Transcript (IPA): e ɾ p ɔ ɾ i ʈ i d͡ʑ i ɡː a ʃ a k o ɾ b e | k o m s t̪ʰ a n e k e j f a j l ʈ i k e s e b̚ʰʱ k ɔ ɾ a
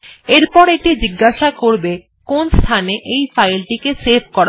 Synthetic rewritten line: e ɾ p ɔ ɾ e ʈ i d͡ʑ i ɡː a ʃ a k o ɾ b e | k o n s t̪ʰ a n e ʔ e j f a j l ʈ i k e s e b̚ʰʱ k ɔ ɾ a